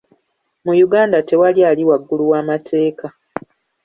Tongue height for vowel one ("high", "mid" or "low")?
high